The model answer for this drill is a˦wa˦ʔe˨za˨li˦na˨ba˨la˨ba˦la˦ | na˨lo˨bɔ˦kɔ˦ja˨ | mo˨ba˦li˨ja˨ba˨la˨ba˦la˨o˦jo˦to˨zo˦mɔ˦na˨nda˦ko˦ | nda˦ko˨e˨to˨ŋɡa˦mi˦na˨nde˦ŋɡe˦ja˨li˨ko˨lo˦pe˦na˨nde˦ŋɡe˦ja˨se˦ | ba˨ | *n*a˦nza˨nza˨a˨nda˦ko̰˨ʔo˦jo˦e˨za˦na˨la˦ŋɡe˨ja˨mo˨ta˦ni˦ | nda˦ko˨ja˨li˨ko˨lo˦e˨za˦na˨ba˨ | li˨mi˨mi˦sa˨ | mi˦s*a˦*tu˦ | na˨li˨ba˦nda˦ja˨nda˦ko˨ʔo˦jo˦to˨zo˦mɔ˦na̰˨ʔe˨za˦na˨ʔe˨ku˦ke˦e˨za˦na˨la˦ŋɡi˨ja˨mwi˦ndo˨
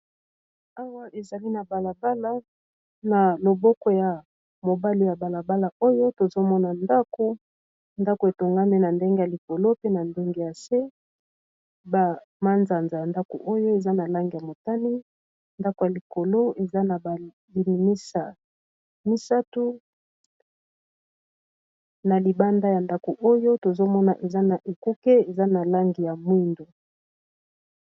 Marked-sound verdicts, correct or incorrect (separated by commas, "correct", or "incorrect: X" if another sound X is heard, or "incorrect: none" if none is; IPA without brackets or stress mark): incorrect: m, correct